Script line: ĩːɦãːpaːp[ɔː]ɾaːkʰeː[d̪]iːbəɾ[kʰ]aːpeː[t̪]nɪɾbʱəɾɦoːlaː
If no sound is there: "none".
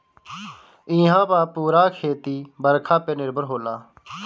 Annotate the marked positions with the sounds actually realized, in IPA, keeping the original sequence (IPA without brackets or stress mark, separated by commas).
uː, t̪, kʰ, none